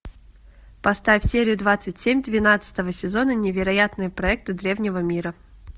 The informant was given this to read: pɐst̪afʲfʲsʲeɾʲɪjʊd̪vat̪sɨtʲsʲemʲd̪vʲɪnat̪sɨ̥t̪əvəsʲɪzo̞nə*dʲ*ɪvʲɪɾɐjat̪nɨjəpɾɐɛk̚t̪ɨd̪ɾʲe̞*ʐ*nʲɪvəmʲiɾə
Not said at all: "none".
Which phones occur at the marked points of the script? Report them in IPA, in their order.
nʲ, v

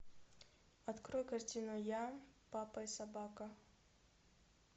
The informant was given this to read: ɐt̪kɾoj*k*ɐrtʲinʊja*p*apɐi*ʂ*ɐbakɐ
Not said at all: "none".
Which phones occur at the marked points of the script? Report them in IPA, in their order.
k, p, s

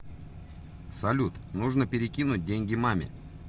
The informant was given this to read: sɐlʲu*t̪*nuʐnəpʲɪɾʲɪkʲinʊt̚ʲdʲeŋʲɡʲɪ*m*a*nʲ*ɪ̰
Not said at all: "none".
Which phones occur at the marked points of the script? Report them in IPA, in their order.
t̪, m, mʲ

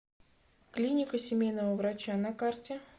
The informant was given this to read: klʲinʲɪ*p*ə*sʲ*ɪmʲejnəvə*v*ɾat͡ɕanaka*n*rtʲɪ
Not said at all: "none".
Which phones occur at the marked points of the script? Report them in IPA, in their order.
k, sʲ, v, none

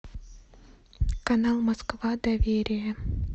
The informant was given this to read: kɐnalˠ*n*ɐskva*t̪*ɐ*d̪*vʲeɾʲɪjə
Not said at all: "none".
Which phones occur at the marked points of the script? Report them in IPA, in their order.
m, d̪, none

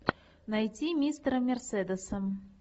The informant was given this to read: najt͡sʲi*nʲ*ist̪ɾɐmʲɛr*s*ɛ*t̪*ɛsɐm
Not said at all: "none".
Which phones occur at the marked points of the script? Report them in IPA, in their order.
mʲ, s, d̪

